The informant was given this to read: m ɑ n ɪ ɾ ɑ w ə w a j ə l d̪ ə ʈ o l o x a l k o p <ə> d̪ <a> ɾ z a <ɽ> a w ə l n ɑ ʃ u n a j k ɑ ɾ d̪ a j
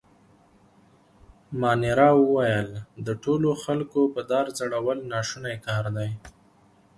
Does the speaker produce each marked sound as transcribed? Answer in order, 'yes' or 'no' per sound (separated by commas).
yes, no, yes